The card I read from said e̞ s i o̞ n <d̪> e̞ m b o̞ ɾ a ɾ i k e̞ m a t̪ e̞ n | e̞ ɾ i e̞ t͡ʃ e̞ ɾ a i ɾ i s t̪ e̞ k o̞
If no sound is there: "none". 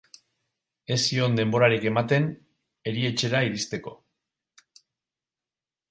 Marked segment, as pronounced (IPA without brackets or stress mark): d̪